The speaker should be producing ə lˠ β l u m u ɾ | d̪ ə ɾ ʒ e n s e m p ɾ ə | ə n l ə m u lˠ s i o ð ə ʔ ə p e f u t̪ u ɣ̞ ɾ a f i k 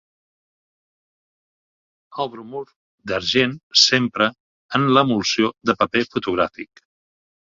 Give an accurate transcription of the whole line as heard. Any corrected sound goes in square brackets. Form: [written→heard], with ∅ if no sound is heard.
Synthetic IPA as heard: ə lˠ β [l→ɾ] u m u ɾ | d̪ ə ɾ ʒ e n s e m p ɾ ə | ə n l ə m u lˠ s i o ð ə [ʔ→p] ə p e f u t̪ u ɣ̞ ɾ a f i k